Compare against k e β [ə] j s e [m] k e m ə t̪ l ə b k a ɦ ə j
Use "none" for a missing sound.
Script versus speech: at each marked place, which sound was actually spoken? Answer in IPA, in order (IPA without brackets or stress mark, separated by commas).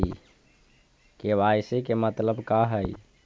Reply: a, none